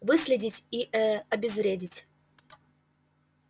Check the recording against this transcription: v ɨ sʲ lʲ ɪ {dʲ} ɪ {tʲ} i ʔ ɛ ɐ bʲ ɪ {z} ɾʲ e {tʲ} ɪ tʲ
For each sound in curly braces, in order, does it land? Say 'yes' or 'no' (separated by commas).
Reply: yes, yes, yes, no